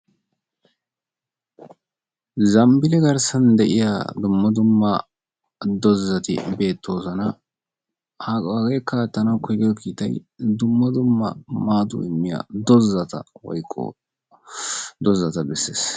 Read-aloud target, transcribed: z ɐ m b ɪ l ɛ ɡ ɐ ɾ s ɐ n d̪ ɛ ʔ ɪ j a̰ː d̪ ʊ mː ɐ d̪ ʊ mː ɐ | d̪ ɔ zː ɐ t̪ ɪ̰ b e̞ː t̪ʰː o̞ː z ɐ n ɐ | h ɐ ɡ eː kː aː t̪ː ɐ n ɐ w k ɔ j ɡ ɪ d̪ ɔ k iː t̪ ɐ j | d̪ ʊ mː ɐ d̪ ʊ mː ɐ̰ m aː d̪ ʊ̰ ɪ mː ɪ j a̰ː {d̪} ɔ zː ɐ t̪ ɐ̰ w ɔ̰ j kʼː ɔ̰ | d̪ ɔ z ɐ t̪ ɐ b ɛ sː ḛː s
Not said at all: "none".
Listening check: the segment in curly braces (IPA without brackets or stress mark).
d̪